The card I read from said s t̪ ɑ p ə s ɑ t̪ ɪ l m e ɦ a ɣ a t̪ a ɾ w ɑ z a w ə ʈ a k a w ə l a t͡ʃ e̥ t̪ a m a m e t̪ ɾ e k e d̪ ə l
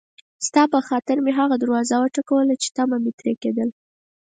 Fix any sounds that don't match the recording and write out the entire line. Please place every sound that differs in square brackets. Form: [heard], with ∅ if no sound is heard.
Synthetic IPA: s t̪ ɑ p ə [x] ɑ t̪ ɪ [ɾ] m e ɦ a ɣ a [d̪] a ɾ w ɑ z a w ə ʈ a k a w ə l a t͡ʃ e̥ t̪ a m a m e t̪ ɾ e k e d̪ ə l